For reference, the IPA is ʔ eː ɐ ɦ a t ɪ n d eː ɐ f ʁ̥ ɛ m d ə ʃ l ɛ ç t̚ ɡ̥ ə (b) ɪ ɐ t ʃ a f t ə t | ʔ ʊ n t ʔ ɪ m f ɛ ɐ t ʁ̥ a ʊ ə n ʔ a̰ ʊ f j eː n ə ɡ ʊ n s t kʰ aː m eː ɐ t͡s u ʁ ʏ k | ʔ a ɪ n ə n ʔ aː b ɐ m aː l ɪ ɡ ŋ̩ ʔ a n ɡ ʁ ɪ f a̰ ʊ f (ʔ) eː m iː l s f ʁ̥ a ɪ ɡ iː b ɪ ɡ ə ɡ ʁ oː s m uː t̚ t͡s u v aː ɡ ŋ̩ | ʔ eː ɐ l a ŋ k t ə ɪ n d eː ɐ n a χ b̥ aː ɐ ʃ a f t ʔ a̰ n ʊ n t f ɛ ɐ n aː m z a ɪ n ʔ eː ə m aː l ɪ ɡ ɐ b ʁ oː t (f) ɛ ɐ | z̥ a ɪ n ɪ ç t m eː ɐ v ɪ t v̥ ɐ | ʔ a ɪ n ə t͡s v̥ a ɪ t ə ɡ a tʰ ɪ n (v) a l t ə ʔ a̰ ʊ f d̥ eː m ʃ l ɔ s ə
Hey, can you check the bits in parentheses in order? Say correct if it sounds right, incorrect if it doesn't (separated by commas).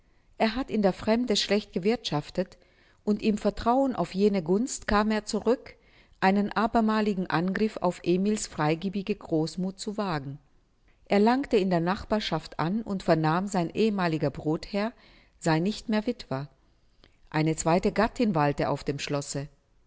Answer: incorrect, correct, incorrect, correct